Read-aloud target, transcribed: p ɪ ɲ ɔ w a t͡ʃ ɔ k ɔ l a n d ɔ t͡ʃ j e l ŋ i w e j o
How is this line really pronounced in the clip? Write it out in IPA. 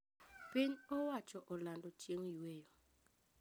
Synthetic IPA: p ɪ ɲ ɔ w a t͡ʃ ɔ ʔ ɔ l a n d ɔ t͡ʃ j e ŋ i w e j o